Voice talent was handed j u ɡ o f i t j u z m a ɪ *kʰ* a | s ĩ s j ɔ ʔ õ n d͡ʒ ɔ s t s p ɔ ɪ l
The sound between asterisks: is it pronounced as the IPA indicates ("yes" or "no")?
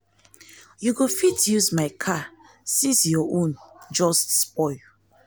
yes